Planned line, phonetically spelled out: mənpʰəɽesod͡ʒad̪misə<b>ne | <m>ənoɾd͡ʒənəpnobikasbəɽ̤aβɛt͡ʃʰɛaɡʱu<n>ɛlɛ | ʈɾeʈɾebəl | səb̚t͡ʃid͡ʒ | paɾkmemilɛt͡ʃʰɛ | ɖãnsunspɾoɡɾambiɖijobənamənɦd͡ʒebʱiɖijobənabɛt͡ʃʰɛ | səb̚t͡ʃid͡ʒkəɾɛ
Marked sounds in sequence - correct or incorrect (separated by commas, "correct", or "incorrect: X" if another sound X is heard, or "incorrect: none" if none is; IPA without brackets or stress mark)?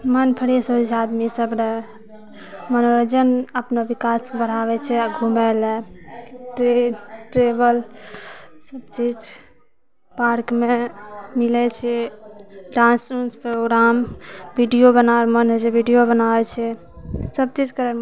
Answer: correct, correct, incorrect: m